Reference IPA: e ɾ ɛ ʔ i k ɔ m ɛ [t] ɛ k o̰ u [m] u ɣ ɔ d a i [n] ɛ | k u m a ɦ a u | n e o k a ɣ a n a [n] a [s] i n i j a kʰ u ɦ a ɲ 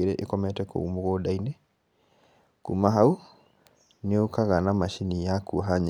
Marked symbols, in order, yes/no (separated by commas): yes, yes, yes, no, no